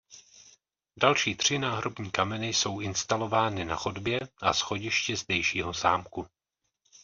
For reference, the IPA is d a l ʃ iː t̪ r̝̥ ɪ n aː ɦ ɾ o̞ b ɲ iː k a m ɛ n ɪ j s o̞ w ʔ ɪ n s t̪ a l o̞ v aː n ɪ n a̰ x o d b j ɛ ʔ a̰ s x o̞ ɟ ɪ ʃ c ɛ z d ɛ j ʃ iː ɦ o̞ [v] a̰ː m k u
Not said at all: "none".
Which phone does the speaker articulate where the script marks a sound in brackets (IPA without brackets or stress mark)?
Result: z